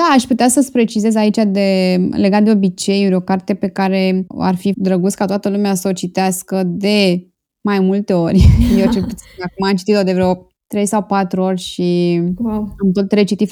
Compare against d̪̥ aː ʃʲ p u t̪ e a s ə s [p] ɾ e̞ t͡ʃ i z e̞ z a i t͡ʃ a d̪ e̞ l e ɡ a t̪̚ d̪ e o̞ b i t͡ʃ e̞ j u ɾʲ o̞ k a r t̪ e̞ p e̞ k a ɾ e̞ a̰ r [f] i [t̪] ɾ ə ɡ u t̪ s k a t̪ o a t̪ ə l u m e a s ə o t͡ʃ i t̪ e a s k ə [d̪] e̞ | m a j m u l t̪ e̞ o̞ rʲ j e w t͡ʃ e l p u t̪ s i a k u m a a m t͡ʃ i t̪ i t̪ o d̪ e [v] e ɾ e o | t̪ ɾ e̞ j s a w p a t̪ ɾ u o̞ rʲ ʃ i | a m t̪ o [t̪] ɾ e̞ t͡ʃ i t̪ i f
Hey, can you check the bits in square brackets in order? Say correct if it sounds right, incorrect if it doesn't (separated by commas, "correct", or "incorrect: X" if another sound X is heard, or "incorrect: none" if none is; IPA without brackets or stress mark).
correct, correct, incorrect: d̪, correct, correct, correct